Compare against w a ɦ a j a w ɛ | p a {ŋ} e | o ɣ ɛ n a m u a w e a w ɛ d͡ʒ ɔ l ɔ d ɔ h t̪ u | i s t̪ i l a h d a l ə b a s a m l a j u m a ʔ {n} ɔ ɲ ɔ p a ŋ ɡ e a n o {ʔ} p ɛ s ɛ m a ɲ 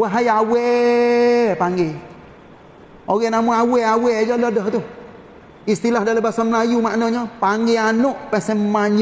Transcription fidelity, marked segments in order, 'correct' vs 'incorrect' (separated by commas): correct, correct, correct